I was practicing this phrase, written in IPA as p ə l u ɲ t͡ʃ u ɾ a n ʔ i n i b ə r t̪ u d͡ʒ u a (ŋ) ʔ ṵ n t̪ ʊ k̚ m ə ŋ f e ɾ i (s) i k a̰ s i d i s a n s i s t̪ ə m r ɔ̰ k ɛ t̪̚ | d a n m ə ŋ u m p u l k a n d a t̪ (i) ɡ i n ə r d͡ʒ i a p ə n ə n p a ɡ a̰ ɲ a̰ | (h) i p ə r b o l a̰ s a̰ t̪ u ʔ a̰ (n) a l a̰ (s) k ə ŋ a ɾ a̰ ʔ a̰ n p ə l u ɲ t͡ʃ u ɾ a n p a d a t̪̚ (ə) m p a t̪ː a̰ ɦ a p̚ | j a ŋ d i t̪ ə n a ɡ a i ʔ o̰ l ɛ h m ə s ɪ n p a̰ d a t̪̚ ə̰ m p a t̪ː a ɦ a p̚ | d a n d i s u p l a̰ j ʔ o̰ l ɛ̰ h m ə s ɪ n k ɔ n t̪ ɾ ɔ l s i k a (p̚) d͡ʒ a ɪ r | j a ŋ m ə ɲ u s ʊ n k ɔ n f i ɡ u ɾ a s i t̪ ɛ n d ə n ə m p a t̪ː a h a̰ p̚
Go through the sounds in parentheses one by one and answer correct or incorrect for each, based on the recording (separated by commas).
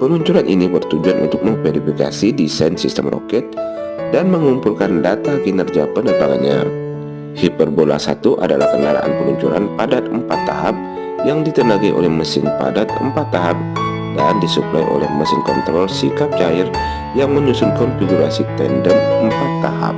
incorrect, incorrect, incorrect, correct, incorrect, incorrect, correct, correct